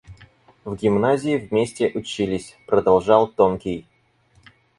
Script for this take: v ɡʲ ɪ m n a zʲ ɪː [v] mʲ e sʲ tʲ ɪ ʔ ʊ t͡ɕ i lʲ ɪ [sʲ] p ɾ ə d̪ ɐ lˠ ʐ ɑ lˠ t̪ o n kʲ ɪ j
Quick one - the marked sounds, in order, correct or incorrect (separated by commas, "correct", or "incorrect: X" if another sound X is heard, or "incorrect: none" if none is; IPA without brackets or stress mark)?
correct, correct